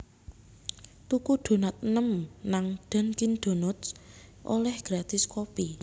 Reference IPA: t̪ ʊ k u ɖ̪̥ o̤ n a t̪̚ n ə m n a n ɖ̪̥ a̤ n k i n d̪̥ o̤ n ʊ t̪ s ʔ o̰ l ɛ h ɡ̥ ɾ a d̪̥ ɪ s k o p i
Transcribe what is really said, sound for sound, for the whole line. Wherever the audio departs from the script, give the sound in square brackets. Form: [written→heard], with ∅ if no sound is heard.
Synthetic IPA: t̪ [ʊ→u] k u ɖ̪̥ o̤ n a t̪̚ n ə m n a [n→ŋ] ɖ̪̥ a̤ n k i n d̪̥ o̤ n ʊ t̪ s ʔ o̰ l ɛ h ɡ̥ ɾ a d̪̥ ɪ s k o p i